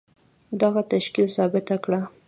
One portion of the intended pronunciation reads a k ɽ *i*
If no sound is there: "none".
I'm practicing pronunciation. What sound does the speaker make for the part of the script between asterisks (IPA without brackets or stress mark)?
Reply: a